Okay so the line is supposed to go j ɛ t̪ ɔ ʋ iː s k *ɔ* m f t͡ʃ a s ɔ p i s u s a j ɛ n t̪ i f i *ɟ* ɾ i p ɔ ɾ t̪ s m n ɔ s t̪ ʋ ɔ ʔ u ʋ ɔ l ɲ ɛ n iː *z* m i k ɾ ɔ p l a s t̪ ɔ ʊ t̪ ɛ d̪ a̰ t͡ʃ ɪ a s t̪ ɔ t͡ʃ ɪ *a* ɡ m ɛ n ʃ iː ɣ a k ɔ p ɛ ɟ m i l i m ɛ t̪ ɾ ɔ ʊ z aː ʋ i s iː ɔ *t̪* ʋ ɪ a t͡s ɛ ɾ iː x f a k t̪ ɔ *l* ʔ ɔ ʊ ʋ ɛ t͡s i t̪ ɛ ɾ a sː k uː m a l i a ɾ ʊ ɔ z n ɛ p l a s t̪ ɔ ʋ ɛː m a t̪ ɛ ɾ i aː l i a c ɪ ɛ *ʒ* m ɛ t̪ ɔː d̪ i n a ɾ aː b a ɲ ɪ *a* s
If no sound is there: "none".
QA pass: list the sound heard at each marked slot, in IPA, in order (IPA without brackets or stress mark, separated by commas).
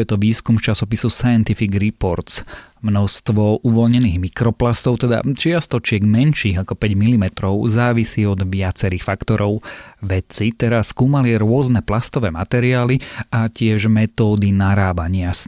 u, ɡ, ɣ, ɛ, d̪, ɾ, ʒ, a